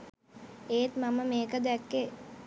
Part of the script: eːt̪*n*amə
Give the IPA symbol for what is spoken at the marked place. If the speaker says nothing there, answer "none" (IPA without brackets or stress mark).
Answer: m